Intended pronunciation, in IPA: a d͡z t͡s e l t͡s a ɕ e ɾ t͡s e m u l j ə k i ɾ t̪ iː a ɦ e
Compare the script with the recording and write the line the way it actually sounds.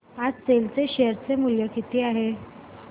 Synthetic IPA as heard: a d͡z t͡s e l t͡s e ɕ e ɾ t͡s e m u l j ə k i t̪ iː a ɦ e